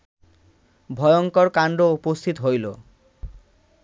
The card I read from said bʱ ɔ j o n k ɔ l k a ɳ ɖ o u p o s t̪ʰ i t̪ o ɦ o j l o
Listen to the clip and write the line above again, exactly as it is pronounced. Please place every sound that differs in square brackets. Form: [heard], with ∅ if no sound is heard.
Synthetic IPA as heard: bʱ ɔ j o [ŋ] k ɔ [ɾ] k a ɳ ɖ o u p o s t̪ʰ i t̪ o ɦ o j l o